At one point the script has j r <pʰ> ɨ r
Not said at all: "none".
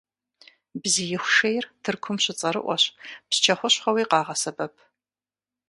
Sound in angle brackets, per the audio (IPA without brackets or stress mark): tʰ